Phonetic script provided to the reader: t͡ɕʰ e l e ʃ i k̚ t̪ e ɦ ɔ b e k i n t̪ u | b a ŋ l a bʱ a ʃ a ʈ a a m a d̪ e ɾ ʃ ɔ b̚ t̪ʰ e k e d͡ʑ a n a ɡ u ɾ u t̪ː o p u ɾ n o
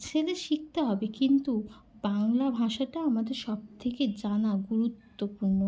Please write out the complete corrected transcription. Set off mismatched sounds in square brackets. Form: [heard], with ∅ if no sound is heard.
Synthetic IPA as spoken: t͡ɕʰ e l e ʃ i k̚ t̪ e ɦ ɔ b e k i n t̪ u | b a ŋ l a bʱ a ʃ a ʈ a a m a d̪ e ɾ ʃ ɔ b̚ t̪ʰ e k e d͡ʑ a n a ɡ u ɾ u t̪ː o p u ɾ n o